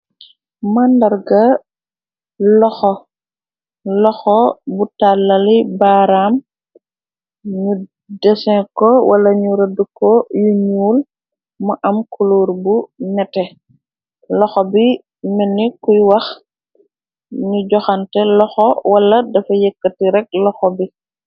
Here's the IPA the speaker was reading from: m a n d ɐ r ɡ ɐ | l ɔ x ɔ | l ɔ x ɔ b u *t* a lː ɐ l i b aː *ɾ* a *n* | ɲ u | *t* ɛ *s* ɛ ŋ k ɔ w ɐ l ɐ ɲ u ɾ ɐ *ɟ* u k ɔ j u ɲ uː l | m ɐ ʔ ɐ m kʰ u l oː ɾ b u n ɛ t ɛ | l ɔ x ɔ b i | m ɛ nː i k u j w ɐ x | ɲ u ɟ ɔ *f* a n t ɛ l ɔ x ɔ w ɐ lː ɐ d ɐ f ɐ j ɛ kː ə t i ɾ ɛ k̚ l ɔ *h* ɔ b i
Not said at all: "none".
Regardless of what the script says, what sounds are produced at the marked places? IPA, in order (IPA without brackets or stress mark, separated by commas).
t, ɾ, m, d, s, d, x, x